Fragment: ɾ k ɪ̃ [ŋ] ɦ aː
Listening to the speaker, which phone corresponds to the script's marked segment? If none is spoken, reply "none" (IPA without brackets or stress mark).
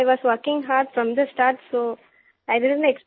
ŋ